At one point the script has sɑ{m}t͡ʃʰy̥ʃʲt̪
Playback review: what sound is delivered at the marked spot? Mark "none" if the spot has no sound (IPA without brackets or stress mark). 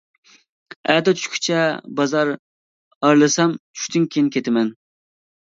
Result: m